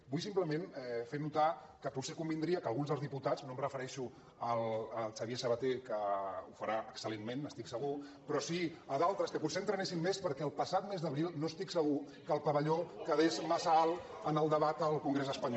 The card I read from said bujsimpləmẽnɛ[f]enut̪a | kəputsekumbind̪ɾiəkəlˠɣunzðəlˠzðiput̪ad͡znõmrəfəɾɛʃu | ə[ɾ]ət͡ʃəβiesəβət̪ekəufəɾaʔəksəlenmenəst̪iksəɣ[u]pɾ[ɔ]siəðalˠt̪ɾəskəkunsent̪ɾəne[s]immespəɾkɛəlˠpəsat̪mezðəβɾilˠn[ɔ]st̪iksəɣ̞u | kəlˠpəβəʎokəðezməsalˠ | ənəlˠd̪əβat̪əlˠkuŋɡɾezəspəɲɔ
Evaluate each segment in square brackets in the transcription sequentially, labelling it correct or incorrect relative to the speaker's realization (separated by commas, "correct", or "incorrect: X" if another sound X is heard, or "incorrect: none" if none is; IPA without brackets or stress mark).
correct, incorrect: l, correct, correct, correct, incorrect: o